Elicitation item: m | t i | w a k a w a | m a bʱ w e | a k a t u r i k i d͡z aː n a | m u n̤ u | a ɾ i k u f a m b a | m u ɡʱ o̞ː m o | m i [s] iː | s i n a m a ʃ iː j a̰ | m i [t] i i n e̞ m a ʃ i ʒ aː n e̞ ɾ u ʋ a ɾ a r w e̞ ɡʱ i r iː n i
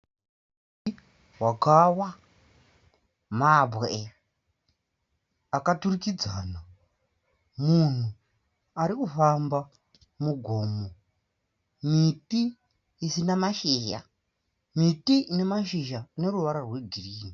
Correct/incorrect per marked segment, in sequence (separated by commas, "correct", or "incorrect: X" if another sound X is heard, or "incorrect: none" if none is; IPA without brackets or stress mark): incorrect: t, correct